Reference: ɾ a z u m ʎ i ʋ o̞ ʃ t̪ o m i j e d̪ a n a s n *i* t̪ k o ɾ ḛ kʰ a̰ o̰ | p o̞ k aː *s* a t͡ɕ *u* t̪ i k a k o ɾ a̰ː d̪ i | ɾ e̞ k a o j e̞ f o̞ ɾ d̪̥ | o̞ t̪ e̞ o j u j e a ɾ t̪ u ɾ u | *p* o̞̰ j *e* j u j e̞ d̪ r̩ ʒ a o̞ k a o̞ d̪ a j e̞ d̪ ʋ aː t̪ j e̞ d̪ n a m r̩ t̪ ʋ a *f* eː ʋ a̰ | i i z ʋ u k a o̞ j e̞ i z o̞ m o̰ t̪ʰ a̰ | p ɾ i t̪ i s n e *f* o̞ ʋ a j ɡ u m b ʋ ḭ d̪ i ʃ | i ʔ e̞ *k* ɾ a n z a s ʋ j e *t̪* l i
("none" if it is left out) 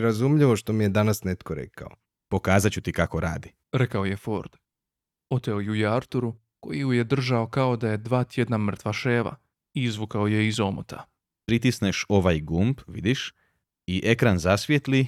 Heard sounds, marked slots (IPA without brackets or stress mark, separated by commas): e, z, u, k, i, ʃ, ʃ, k, t̪